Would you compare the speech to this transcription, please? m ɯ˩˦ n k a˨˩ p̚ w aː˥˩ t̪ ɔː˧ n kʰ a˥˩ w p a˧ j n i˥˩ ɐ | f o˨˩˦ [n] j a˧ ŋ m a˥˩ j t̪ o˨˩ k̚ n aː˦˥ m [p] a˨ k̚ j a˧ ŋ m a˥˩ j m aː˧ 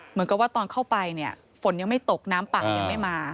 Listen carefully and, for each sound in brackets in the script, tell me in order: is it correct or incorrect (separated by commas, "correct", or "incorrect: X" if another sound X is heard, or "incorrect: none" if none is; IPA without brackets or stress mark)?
correct, correct